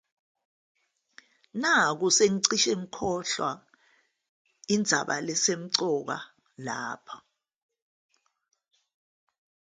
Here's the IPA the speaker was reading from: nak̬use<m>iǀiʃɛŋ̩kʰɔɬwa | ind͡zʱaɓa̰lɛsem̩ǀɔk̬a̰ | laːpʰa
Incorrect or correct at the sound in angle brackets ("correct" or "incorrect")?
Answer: incorrect